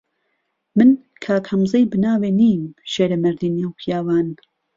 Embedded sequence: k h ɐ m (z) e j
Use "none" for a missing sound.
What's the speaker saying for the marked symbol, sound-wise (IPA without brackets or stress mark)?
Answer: z